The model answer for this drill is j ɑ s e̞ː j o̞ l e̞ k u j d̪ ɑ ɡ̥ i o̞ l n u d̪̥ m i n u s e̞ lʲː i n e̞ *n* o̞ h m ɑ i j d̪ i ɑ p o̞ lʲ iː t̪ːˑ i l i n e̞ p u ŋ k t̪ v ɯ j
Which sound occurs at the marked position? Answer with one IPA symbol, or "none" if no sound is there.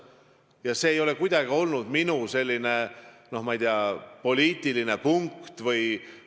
n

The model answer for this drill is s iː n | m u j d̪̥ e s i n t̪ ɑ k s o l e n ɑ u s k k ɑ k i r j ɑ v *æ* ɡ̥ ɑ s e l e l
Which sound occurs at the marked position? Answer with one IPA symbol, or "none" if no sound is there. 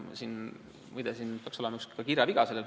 i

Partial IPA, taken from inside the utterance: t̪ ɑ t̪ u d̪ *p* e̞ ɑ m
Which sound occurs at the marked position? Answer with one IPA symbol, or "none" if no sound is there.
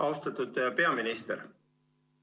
p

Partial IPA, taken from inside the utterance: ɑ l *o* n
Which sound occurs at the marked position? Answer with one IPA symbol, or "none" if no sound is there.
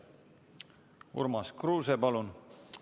u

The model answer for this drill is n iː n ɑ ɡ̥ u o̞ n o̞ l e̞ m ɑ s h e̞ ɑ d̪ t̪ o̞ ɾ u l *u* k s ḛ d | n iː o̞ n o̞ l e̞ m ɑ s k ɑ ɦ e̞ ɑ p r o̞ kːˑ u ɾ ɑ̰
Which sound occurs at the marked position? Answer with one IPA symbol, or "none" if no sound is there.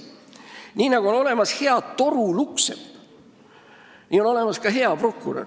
u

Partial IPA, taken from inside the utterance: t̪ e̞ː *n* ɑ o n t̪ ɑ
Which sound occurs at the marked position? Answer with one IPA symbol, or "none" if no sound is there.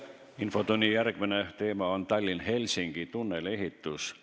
m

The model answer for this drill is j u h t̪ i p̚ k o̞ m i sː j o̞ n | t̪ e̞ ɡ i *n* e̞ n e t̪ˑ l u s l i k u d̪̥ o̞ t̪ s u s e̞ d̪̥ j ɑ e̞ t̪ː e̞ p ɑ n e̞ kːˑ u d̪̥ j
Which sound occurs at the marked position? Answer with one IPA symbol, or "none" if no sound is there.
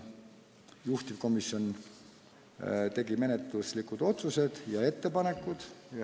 m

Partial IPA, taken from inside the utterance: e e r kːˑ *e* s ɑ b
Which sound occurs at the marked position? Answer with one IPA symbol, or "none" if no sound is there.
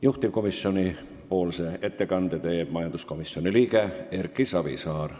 i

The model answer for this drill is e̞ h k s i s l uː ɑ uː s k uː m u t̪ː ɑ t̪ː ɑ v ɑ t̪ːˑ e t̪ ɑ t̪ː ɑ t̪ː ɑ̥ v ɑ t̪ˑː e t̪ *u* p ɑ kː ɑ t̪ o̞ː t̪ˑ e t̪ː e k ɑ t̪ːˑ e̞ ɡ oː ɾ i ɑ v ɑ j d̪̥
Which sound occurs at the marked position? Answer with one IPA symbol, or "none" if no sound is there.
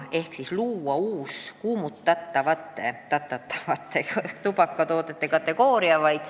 u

